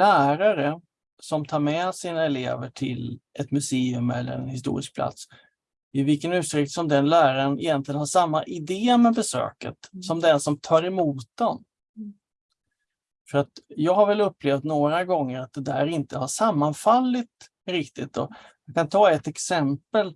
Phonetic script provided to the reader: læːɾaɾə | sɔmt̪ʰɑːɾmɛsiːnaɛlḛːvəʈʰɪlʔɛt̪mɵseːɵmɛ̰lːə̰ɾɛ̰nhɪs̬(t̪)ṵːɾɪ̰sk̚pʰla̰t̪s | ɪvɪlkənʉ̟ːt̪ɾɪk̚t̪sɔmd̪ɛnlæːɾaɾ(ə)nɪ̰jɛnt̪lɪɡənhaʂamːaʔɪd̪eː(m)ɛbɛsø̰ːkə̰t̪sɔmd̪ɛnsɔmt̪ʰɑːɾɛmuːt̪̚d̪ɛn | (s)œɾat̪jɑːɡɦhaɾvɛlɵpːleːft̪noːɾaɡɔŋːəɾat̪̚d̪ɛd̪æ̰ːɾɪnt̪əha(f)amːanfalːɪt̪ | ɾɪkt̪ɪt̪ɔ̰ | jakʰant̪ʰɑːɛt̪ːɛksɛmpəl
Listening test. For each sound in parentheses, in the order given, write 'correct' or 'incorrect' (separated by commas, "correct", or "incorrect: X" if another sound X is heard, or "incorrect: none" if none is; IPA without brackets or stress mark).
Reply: correct, correct, correct, incorrect: f, incorrect: ʂ